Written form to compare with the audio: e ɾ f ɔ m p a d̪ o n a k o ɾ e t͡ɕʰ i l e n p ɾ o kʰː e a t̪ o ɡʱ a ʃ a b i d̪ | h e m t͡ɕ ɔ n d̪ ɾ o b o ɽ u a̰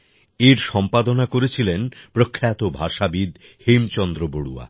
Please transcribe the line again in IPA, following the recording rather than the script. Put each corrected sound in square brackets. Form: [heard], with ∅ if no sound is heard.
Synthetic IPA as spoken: e ɾ [ʃ] ɔ m p a d̪ o n a k o ɾ e t͡ɕʰ i l e n p ɾ o kʰː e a t̪ o [bʱ] a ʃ a b i d̪ | h e m t͡ɕ ɔ n d̪ ɾ o b o ɽ u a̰